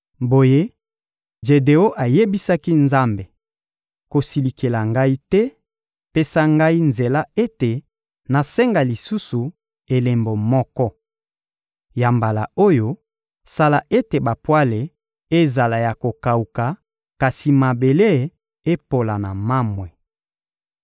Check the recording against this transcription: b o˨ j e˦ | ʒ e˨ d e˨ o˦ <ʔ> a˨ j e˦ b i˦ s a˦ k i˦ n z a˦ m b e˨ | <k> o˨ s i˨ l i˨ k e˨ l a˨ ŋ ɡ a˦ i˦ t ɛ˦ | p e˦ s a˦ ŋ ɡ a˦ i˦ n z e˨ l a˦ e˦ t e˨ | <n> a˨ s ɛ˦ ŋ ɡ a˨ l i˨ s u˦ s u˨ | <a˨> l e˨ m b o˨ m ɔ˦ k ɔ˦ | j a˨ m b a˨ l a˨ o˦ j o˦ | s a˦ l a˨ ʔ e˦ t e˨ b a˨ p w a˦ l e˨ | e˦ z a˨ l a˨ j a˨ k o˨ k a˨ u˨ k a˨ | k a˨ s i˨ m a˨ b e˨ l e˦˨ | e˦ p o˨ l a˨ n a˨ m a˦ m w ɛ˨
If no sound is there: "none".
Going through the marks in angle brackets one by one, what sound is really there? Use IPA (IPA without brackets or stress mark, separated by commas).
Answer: ʔ, k, n, e˨